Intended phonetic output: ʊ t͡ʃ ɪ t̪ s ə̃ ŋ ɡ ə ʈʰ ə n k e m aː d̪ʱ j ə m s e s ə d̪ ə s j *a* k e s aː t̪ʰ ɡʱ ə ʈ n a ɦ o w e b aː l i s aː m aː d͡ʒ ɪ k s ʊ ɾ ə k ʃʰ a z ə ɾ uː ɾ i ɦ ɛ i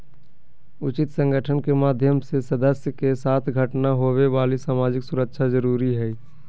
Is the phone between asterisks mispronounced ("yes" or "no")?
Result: yes